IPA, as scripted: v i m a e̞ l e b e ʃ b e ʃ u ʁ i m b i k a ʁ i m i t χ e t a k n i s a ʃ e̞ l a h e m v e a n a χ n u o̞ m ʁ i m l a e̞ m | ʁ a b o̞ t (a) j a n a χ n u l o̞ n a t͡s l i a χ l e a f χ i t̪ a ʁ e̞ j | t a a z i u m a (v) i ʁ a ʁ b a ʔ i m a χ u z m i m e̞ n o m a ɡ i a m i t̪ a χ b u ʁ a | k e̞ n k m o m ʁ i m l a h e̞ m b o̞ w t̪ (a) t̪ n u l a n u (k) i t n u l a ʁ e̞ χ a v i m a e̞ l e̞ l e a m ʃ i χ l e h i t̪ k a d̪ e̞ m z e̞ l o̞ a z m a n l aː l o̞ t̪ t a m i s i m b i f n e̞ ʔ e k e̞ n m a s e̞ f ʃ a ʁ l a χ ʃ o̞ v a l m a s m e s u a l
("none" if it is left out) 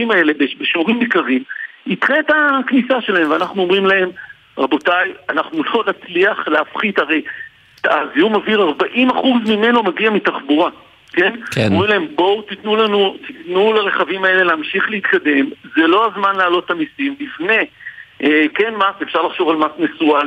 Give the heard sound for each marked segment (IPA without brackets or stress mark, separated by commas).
a, v, i, t